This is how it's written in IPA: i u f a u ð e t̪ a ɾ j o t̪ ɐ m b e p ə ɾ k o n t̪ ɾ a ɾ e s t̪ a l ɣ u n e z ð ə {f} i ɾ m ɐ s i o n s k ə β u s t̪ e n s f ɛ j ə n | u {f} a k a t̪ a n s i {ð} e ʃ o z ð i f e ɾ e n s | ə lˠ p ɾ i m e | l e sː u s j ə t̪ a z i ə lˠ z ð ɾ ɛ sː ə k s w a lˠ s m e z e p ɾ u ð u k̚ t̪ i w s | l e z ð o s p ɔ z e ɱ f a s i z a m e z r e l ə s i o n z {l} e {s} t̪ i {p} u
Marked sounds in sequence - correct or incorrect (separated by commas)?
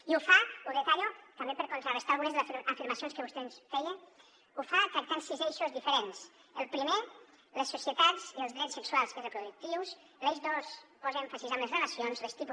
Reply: correct, correct, incorrect, correct, correct, correct